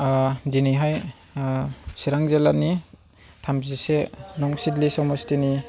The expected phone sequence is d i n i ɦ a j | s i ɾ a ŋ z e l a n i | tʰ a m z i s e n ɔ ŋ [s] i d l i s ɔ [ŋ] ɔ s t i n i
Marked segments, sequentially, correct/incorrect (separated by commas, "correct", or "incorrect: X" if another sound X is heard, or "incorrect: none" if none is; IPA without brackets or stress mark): correct, incorrect: m